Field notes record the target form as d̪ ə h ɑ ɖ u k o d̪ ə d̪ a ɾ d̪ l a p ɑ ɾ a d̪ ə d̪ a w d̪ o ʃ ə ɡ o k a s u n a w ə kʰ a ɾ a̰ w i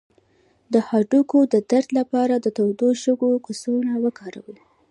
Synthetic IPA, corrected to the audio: d̪ ə h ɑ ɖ u k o d̪ ə d̪ a ɾ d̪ l a p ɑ ɾ a d̪ ə t̪ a w d̪ o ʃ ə ɡ o k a s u n a w ə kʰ ɑ ɾ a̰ w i